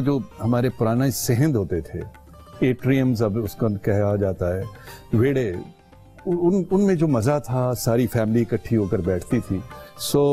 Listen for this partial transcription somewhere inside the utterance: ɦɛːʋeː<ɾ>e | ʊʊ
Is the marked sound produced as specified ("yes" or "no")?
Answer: no